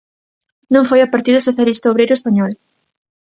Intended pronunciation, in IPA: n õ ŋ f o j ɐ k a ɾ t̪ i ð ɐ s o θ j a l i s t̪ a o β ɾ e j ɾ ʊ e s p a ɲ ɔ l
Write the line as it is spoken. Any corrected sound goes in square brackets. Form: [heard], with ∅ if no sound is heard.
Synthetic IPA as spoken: n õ ŋ f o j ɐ [p] a ɾ t̪ i ð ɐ s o θ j a l i s t̪ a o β ɾ e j ɾ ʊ e s p a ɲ ɔ l